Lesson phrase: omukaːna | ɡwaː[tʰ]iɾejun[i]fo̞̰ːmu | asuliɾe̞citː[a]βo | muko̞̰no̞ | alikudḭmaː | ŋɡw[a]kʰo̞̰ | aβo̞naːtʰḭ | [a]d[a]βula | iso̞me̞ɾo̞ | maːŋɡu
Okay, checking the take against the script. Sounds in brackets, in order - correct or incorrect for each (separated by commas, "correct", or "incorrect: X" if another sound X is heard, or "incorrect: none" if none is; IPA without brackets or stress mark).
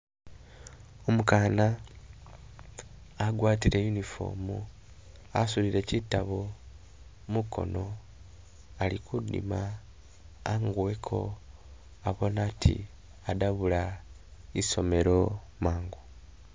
incorrect: t, correct, correct, incorrect: e, correct, correct